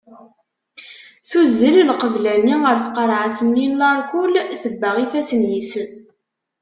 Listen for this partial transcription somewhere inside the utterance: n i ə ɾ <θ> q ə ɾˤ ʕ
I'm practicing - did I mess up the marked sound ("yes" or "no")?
no